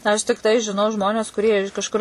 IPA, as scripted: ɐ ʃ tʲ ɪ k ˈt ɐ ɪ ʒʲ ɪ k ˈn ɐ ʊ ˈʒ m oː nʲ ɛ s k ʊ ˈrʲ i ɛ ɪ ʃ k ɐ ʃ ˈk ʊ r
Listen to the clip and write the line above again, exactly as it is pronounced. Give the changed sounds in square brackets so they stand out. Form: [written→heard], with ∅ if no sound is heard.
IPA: ɐ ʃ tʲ ɪ k ˈt ɐ ɪ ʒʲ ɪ [k→∅] ˈn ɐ ʊ ˈʒ m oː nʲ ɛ s k ʊ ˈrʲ i ɛ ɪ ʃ k ɐ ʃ ˈk ʊ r